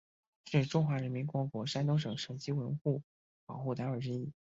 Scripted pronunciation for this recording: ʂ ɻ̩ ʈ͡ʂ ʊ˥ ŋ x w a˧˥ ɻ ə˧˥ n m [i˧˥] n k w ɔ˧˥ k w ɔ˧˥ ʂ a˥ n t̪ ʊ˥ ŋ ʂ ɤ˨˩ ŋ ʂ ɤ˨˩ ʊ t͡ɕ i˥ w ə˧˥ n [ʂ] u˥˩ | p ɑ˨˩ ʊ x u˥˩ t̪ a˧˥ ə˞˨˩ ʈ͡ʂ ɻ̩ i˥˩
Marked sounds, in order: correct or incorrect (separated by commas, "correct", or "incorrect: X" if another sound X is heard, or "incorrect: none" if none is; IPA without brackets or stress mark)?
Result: correct, incorrect: x